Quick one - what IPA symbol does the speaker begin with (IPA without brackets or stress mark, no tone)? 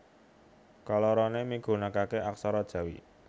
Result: k